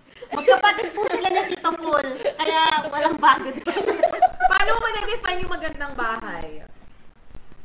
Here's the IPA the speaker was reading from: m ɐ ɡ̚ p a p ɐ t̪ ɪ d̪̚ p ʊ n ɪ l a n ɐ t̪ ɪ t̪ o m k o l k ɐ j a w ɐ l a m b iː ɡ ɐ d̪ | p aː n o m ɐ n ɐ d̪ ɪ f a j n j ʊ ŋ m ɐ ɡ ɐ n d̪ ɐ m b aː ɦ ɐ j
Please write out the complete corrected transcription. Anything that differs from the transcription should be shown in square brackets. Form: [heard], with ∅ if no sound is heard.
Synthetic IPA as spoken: m ɐ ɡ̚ p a p ɐ t̪ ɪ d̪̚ p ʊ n ɪ l a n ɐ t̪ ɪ t̪ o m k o l k ɐ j a w ɐ l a [ŋ] b [aː] ɡ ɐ d̪ | p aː n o m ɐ n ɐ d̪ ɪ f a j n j ʊ ŋ m ɐ ɡ ɐ n d̪ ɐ [ŋ] b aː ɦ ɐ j